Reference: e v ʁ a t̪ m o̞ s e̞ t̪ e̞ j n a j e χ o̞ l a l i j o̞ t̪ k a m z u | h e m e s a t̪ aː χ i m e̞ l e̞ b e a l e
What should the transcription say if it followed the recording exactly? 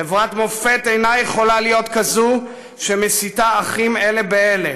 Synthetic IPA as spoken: e v ʁ a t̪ m o̞ f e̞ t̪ e̞ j n a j e χ o̞ l a l i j o̞ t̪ k a z u | ʃ e m e s i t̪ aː χ i m e̞ l e̞ b e e l e